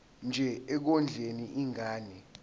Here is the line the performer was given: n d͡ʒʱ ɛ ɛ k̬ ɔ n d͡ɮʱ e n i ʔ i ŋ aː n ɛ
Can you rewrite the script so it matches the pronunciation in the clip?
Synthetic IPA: n d͡ʒʱ ɛ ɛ k̬ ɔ n d͡ɮʱ e n i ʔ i ŋ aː n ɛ